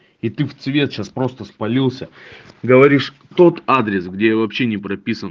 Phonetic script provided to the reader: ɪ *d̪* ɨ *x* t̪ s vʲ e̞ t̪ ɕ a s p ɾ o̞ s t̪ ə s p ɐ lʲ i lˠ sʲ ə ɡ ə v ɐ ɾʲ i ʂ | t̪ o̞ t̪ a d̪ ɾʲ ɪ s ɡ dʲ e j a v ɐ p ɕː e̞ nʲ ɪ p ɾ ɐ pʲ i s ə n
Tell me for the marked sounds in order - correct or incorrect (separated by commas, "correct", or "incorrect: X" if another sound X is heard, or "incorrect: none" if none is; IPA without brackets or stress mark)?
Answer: incorrect: t̪, incorrect: f